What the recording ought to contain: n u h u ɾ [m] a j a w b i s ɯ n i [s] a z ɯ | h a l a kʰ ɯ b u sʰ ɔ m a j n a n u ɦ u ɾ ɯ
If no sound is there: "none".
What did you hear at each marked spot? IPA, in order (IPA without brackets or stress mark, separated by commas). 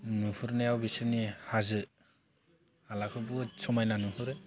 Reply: n, h